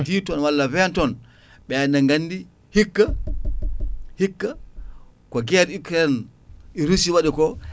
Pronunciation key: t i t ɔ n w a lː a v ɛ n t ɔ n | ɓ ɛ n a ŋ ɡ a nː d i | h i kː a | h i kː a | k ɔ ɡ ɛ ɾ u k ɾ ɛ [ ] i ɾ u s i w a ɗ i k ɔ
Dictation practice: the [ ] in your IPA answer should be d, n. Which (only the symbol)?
n